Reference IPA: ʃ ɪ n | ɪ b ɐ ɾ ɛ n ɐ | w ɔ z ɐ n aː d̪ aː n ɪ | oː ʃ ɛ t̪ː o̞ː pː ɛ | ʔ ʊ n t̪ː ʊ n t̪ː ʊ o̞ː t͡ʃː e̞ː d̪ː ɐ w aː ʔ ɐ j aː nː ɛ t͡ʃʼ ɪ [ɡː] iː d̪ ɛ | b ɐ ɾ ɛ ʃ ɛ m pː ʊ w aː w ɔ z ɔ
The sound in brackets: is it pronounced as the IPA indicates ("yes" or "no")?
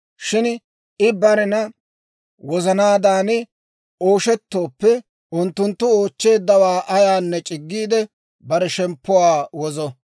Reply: yes